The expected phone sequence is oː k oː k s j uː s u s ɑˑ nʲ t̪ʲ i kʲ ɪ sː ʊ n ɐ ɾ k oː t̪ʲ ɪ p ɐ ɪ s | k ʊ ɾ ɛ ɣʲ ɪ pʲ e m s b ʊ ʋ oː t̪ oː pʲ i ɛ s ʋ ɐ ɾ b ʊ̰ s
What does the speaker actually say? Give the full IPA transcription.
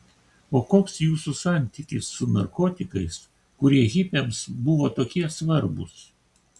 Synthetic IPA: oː k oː k s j uː s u s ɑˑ nʲ t̪ʲ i kʲ ɪ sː ʊ n ɐ ɾ k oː t̪ʲ ɪ k ɐ ɪ s | k ʊ ɾ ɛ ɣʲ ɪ pʲ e m s b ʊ ʋ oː t̪ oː kʲ i ɛ s ʋ ɐ ɾ b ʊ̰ s